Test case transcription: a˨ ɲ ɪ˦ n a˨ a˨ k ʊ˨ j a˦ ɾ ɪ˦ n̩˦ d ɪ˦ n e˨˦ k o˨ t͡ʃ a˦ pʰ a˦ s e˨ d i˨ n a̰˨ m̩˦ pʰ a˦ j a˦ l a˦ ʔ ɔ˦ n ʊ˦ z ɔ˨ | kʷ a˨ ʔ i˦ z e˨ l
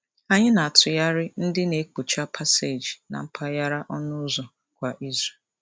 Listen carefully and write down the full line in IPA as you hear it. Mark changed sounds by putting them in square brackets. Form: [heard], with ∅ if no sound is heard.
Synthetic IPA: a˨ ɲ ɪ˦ n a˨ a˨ [t] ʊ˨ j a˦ ɾ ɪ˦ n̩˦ d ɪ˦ n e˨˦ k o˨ t͡ʃ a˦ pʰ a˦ s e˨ [d͡ʒ] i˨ n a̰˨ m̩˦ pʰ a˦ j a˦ [ɾ] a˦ ʔ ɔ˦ n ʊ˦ z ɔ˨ | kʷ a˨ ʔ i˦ z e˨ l